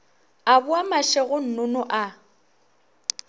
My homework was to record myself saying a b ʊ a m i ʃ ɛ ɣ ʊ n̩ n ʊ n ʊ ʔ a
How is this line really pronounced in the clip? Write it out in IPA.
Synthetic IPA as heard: a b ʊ a m a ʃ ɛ ɣ ʊ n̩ n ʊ n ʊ ʔ a